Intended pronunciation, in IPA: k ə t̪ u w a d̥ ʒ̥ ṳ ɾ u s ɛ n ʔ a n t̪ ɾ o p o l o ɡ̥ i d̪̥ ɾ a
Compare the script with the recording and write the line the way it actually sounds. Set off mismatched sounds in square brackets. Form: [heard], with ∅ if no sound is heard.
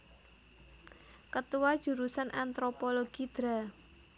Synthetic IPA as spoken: k ə t̪ u w a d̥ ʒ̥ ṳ ɾ u s [a] n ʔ a n t̪ ɾ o p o l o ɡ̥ i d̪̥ ɾ a